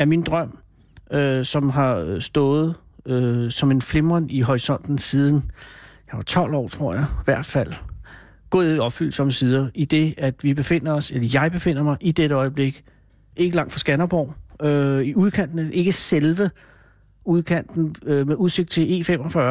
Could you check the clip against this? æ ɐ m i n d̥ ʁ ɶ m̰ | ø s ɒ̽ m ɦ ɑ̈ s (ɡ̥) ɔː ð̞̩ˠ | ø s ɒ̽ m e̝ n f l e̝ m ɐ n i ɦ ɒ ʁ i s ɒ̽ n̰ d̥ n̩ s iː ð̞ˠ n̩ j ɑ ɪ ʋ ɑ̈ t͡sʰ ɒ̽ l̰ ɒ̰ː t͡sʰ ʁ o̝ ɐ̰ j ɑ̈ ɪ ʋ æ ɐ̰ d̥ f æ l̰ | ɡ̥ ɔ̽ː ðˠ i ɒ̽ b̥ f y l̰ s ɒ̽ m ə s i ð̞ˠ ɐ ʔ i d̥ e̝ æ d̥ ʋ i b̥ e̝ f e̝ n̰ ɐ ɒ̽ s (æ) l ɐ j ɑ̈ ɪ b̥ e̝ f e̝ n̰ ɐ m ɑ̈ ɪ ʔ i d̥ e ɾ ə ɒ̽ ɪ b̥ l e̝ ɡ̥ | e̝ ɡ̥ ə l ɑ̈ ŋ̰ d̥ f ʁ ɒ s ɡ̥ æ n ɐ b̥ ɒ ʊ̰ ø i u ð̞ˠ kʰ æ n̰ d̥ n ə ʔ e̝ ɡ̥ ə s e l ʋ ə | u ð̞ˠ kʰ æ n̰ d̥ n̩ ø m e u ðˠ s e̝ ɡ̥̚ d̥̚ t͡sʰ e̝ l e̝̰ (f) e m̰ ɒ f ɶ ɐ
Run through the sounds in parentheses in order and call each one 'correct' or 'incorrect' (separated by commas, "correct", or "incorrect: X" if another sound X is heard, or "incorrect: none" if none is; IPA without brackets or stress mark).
incorrect: d̥, incorrect: e, correct